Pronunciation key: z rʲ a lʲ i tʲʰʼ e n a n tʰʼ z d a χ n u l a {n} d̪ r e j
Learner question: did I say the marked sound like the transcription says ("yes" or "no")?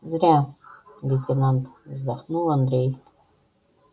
yes